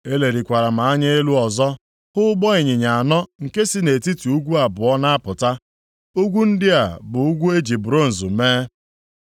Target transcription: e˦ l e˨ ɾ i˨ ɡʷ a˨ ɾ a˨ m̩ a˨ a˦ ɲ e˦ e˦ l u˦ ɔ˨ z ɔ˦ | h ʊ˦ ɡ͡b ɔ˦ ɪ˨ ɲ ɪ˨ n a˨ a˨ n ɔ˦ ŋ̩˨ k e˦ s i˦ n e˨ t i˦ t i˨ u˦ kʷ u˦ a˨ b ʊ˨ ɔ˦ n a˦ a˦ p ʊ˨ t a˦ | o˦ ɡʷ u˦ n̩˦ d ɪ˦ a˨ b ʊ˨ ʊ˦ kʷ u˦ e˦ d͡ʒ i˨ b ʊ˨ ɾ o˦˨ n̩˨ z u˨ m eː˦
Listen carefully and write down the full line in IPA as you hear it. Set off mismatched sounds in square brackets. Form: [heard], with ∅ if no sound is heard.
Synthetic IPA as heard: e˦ l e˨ ɾ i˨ [kʷ] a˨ ɾ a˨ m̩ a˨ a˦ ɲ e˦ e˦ l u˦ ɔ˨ z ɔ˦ | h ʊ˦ ɡ͡b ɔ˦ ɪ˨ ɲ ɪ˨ [ɲ] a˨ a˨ n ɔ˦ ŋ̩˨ k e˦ s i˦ n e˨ t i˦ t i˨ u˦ [ɡʷ] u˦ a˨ b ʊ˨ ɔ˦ n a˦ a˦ p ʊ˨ t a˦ | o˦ ɡʷ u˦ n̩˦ d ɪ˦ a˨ b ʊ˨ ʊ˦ [ɡʷ] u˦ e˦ d͡ʒ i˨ b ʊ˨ ɾ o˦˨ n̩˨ z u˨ m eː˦